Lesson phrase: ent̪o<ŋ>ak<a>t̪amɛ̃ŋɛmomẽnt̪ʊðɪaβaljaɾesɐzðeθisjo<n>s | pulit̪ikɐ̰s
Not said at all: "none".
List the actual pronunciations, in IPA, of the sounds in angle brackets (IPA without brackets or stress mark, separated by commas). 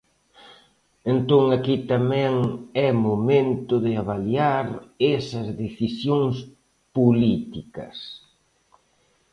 ŋ, i, ŋ